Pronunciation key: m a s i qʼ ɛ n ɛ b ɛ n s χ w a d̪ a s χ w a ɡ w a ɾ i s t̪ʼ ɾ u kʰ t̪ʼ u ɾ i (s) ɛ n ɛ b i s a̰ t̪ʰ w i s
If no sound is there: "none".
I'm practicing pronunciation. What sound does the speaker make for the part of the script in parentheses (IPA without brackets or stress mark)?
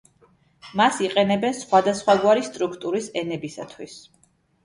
s